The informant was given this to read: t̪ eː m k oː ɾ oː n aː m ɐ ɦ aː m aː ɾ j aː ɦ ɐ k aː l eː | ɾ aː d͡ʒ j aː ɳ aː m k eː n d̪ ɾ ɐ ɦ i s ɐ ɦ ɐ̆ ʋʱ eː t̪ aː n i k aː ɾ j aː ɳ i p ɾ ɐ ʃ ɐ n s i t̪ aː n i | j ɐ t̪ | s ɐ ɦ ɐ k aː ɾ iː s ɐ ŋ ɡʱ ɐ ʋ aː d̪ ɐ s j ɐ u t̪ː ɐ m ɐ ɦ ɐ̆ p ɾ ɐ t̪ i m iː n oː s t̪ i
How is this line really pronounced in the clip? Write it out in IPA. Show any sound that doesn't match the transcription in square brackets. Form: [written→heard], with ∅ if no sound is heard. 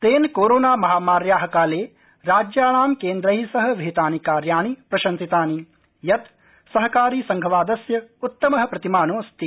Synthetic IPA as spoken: t̪ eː [m→n] k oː ɾ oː n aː m ɐ ɦ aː m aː ɾ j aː ɦ ɐ k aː l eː | ɾ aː d͡ʒ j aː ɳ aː m k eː n d̪ ɾ ɐ ɦ i s ɐ ɦ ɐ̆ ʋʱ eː t̪ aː n i k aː ɾ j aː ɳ i p ɾ ɐ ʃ ɐ n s i t̪ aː n i | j ɐ t̪ | s ɐ ɦ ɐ k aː ɾ iː s ɐ ŋ ɡʱ ɐ ʋ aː d̪ ɐ s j ɐ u t̪ː ɐ m ɐ ɦ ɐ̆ p ɾ ɐ t̪ i m [iː→aː] n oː s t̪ i

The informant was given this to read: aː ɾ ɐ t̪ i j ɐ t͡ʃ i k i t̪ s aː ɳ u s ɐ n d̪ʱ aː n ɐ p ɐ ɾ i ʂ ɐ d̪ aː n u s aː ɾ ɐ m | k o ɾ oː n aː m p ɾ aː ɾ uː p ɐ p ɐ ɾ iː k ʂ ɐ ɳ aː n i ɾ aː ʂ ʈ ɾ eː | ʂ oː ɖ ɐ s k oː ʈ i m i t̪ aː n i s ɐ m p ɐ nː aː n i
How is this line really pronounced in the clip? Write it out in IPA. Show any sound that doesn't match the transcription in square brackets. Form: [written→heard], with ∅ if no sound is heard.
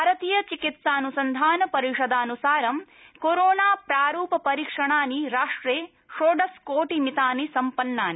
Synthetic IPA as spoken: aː ɾ ɐ t̪ i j ɐ t͡ʃ i k i t̪ s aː [ɳ→n] u s ɐ n d̪ʱ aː n ɐ p ɐ ɾ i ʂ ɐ d̪ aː n u s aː ɾ ɐ m | k o ɾ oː n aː [m→∅] p ɾ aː ɾ uː p ɐ p ɐ ɾ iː k ʂ ɐ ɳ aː n i ɾ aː ʂ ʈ ɾ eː | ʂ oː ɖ ɐ s k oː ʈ i m i t̪ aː n i s ɐ m p ɐ nː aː n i

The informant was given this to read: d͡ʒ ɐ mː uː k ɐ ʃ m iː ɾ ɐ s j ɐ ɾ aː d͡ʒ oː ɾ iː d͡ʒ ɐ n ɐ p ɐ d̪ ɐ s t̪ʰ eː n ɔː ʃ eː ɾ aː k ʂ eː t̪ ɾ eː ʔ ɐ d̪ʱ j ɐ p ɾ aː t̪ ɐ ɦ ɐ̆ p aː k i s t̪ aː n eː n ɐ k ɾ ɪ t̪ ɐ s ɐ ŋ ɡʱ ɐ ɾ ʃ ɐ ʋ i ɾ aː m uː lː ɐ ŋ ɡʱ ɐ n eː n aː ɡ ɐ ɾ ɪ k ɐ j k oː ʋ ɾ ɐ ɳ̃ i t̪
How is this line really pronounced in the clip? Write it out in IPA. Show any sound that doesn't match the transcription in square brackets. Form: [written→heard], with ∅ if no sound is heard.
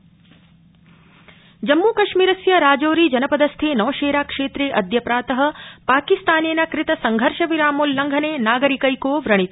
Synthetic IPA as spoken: d͡ʒ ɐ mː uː k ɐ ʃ m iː ɾ ɐ s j ɐ ɾ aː d͡ʒ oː ɾ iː d͡ʒ ɐ n ɐ p ɐ d̪ ɐ s t̪ʰ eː n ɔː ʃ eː ɾ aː k ʂ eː t̪ ɾ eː ʔ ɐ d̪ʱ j ɐ p ɾ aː t̪ ɐ ɦ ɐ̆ p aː k i s t̪ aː n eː n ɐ k ɾ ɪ t̪ ɐ s ɐ ŋ ɡʱ ɐ ɾ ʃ ɐ ʋ i ɾ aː m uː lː ɐ ŋ ɡʱ ɐ n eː n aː ɡ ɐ ɾ [ɪ→i] k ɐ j k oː ʋ ɾ ɐ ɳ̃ i t̪

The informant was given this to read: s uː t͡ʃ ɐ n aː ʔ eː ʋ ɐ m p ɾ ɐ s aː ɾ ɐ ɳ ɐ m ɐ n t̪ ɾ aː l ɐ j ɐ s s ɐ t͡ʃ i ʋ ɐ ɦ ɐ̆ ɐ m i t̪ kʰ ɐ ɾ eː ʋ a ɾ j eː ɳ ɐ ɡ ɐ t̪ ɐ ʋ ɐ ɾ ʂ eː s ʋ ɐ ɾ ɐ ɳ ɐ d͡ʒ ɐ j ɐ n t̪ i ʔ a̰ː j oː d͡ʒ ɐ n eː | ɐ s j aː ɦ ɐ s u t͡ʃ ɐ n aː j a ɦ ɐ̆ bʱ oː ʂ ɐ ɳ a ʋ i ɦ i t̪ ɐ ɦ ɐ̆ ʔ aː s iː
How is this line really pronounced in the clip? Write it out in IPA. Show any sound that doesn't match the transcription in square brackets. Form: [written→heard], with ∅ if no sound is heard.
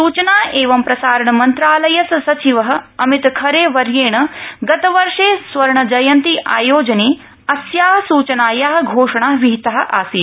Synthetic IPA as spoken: s uː t͡ʃ ɐ n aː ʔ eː ʋ ɐ m p ɾ ɐ s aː ɾ ɐ ɳ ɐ m ɐ n t̪ ɾ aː l ɐ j ɐ s s ɐ t͡ʃ i ʋ ɐ ɦ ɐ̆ ɐ m i t̪ kʰ ɐ ɾ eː ʋ [a→ɐ] ɾ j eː ɳ ɐ ɡ ɐ t̪ ɐ ʋ ɐ ɾ ʂ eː s ʋ ɐ ɾ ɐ ɳ ɐ d͡ʒ ɐ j ɐ n t̪ i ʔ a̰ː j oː d͡ʒ ɐ n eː | ɐ s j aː ɦ ɐ s [u→uː] t͡ʃ ɐ n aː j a ɦ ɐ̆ [bʱ→ɡʱ] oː ʂ ɐ ɳ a ʋ i ɦ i t̪ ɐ ɦ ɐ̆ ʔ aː s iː

